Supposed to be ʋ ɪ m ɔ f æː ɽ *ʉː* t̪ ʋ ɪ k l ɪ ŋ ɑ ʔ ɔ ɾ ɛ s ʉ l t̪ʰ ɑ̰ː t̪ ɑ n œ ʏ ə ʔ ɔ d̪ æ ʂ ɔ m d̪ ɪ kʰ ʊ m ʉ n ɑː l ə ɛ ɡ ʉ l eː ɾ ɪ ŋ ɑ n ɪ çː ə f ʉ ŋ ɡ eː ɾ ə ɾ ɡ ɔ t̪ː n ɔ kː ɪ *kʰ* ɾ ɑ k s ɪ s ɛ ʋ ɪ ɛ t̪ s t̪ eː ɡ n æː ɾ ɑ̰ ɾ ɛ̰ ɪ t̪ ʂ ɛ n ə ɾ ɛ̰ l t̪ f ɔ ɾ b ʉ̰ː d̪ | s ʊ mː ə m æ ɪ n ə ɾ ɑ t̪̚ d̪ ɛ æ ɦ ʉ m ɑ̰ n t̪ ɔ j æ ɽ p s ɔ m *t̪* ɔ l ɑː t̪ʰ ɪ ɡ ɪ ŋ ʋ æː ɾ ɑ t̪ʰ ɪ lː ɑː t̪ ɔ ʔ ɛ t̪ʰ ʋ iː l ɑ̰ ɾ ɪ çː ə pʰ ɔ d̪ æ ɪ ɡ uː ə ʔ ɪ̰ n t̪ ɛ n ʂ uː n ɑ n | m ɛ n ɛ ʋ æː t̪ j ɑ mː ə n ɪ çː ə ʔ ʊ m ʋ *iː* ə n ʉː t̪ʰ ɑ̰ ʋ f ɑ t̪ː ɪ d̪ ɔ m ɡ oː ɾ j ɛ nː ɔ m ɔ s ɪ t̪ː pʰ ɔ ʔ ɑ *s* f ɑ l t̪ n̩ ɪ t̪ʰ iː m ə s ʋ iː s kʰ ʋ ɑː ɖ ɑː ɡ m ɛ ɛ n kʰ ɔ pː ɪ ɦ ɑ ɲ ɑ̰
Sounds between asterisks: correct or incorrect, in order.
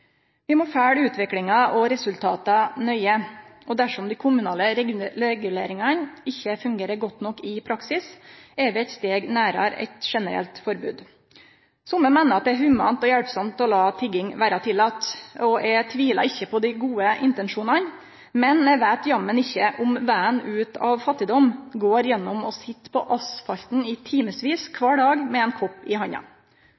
correct, incorrect: pʰ, correct, incorrect: æː, correct

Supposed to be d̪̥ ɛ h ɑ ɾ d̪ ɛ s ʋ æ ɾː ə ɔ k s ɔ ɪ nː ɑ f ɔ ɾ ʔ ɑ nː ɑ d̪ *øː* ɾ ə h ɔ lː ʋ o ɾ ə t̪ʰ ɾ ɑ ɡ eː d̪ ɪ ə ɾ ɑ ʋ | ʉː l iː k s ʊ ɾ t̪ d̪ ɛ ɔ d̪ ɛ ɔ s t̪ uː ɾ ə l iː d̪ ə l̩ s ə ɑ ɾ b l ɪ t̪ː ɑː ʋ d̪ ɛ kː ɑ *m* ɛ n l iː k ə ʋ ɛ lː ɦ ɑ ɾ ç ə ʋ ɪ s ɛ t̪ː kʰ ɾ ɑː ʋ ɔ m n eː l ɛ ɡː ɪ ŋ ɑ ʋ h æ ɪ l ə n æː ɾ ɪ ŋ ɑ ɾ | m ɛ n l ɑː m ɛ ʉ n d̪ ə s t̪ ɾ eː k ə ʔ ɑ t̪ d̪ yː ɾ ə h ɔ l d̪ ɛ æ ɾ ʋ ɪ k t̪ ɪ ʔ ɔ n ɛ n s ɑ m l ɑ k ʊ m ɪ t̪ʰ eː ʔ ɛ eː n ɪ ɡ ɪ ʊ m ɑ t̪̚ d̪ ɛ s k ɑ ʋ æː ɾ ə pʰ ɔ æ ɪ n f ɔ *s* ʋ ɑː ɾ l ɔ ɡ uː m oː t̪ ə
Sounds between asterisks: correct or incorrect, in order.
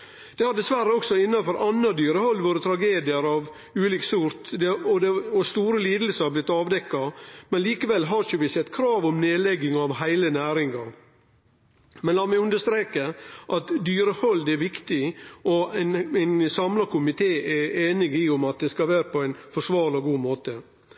incorrect: yː, correct, incorrect: ʂ

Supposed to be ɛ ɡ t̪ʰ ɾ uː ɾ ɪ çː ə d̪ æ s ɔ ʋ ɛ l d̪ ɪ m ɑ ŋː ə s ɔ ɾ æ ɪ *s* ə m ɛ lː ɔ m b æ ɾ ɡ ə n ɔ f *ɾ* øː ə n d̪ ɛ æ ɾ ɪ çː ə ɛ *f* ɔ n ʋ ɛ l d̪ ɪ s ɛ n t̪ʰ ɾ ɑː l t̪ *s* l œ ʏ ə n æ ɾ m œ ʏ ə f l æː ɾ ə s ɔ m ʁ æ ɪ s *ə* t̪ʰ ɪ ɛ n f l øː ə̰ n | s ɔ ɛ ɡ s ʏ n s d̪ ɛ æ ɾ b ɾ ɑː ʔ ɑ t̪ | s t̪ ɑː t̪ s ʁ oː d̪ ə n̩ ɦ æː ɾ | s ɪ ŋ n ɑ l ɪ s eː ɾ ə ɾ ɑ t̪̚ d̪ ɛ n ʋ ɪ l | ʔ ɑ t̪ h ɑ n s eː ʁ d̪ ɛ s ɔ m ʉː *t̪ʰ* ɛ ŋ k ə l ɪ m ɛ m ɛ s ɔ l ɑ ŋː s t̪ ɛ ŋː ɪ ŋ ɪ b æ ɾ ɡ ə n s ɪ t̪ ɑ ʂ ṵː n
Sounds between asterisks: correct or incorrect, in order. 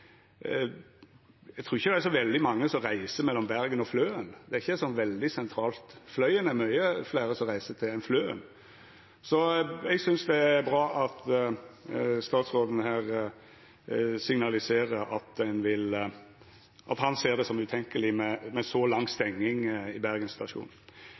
correct, incorrect: l, incorrect: s, incorrect: f, correct, correct

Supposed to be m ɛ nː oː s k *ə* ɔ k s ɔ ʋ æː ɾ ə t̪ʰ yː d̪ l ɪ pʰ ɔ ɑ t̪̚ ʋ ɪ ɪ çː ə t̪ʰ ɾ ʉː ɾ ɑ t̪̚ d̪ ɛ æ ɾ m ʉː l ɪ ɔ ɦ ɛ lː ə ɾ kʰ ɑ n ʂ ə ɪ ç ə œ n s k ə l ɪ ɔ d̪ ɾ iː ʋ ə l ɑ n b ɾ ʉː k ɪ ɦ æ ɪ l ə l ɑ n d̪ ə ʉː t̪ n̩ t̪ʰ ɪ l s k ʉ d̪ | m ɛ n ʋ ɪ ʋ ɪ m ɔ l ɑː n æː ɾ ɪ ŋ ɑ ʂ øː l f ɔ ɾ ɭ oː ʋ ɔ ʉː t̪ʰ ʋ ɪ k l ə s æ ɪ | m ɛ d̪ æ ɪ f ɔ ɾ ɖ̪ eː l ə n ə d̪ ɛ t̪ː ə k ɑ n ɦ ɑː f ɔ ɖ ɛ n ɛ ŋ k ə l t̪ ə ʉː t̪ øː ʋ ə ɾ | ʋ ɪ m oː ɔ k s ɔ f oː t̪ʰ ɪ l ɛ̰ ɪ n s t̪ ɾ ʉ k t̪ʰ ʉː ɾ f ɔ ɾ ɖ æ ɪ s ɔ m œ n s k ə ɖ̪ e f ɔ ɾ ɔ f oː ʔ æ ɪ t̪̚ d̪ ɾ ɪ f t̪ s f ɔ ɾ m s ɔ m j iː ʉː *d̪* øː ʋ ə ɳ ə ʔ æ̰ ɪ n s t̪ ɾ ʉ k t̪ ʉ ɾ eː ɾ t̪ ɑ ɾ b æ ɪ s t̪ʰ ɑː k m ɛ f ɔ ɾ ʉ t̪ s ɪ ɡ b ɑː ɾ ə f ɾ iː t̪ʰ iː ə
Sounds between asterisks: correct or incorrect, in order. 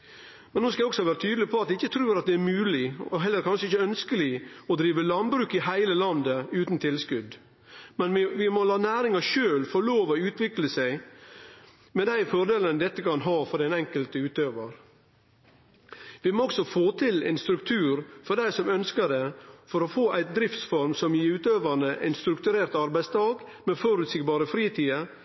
incorrect: ɑ, incorrect: t̪

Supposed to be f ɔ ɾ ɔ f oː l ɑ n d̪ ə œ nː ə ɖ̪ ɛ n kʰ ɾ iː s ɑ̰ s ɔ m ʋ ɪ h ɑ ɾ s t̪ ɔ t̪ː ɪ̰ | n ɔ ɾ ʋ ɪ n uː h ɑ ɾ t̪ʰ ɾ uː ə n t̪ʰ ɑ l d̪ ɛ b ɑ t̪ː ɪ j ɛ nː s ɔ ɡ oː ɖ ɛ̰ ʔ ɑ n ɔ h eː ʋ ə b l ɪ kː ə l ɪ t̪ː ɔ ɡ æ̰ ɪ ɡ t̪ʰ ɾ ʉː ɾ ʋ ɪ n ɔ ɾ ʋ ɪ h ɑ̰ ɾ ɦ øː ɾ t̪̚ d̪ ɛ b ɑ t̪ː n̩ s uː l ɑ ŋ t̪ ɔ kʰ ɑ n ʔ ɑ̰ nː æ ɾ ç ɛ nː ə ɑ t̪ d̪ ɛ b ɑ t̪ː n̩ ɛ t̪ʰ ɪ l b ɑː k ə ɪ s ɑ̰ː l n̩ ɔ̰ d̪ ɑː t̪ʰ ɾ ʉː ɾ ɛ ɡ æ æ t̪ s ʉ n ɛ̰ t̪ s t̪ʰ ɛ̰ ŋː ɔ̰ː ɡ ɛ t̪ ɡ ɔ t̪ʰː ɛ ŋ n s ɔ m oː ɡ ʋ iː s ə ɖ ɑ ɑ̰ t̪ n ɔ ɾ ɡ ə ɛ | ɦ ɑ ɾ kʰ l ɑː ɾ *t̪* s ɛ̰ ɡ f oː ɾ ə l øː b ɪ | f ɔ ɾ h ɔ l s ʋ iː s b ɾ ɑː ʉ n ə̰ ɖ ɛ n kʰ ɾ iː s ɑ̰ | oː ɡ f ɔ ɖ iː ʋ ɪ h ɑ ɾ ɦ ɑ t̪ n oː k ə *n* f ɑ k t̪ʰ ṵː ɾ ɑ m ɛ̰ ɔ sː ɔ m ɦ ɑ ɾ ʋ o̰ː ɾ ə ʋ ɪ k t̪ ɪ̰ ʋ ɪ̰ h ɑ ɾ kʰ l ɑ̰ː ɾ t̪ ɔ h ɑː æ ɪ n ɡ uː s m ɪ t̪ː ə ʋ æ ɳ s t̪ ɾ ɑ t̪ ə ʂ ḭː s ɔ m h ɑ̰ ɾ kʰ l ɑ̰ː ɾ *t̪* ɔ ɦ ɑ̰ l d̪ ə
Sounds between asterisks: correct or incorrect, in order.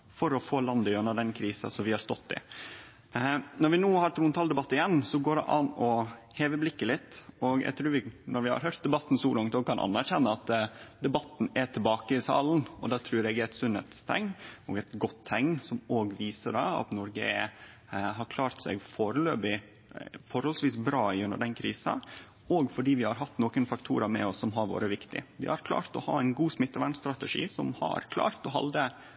correct, correct, correct

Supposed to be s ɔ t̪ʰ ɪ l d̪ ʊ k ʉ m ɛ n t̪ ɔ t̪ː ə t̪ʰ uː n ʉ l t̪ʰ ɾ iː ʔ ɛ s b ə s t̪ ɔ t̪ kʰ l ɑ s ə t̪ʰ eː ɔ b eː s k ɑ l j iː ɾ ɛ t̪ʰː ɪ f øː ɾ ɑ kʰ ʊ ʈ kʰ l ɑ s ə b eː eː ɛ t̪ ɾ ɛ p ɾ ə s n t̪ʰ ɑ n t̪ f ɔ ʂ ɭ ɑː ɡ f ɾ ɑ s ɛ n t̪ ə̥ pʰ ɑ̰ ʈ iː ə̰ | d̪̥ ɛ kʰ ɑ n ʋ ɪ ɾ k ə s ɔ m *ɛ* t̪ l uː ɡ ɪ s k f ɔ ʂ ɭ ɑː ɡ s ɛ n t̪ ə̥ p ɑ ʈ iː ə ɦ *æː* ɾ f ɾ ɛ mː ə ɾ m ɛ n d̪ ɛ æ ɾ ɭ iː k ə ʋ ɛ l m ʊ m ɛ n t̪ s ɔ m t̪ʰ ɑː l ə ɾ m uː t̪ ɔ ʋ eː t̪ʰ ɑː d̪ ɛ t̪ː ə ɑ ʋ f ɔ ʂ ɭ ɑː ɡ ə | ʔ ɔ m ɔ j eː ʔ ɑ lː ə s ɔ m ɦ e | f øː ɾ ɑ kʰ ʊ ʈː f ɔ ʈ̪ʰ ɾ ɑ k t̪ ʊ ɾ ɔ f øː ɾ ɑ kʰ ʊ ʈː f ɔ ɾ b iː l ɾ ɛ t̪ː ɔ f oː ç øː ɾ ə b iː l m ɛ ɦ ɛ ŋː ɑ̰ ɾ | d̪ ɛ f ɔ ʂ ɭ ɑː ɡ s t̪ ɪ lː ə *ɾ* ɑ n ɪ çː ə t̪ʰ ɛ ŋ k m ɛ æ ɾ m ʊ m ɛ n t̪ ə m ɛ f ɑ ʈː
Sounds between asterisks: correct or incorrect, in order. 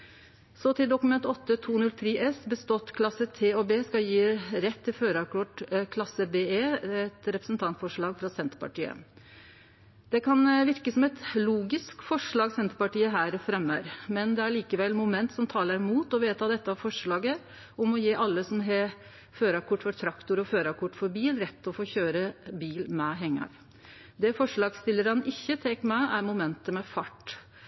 correct, correct, correct

